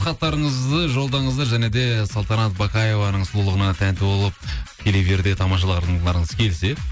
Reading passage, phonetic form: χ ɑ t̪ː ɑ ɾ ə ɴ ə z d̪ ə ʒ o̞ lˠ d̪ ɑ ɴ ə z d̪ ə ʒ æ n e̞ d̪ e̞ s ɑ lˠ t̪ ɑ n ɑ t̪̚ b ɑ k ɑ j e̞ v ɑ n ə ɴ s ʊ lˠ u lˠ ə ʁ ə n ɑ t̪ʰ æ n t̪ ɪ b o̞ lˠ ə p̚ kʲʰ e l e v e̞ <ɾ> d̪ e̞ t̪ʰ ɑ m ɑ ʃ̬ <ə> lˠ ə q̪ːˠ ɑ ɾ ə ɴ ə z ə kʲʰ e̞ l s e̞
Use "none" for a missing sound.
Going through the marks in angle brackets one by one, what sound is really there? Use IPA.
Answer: ɾ, ɑ

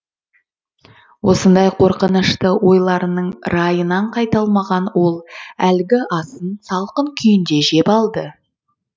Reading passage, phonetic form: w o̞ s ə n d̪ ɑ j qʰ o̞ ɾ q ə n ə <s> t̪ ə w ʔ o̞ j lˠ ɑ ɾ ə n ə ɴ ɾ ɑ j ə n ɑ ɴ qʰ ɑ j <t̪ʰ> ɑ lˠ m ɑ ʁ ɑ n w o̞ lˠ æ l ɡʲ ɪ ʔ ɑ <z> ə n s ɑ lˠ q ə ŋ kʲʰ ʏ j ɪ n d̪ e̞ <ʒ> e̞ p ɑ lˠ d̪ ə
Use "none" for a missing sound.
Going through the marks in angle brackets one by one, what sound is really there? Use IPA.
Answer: ʃ, t̪, s, ʒ

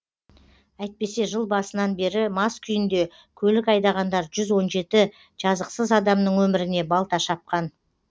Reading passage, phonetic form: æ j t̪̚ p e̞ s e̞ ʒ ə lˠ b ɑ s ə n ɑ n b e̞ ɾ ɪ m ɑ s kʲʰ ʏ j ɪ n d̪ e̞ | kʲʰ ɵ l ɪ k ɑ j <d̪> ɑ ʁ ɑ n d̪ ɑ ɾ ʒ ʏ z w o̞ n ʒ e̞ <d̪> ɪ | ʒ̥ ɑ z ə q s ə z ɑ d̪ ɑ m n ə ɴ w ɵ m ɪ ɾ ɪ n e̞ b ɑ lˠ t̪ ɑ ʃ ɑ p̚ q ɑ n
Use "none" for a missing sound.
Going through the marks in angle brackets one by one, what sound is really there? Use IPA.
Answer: d̪, t̪

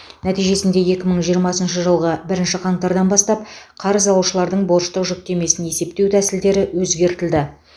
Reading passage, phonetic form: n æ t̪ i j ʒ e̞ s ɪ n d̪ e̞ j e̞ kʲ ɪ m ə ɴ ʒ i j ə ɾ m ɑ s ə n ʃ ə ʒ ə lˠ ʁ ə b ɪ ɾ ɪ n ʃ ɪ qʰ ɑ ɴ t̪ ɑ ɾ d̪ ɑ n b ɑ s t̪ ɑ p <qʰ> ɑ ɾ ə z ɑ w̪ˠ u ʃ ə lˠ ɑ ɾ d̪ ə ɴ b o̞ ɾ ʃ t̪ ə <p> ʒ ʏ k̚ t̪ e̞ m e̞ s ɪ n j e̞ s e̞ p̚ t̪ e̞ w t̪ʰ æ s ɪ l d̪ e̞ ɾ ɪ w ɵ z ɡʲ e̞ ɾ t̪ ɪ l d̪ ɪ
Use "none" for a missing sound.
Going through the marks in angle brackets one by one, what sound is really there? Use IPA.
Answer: qʰ, q

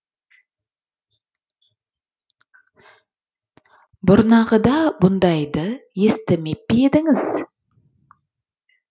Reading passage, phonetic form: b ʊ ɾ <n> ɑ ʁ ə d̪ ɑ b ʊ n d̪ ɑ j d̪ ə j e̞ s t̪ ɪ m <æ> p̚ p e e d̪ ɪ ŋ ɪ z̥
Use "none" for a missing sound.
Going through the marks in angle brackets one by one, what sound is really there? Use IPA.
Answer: n, e

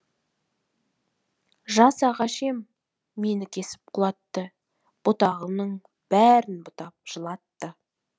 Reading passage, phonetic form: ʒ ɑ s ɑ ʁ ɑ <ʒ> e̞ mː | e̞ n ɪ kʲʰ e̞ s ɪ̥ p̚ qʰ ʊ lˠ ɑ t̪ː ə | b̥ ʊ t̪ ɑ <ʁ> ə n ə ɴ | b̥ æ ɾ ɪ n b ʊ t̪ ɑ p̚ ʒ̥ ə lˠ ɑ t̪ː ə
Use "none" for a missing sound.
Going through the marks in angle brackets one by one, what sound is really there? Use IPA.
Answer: ʃ, ʁ

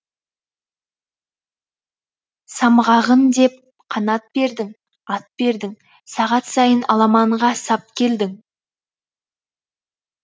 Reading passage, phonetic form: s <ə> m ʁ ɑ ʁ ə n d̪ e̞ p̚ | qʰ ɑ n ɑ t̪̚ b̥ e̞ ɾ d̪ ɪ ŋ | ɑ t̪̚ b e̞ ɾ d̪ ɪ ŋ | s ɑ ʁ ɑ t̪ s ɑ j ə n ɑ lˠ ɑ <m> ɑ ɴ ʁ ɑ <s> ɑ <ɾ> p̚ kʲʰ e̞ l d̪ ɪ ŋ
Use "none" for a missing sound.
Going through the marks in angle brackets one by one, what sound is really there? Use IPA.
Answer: ɑ, m, s, none

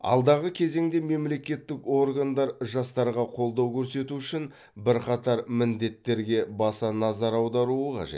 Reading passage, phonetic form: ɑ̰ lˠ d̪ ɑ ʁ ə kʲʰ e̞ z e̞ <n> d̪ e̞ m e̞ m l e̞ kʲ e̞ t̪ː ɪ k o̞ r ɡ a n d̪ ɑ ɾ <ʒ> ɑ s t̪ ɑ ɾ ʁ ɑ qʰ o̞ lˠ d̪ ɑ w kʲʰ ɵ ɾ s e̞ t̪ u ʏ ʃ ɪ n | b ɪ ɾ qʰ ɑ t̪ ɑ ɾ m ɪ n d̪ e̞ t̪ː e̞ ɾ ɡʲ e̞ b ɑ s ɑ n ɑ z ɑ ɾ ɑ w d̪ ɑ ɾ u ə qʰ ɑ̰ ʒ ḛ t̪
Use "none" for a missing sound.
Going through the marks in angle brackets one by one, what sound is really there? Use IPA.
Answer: ŋ, ʒ

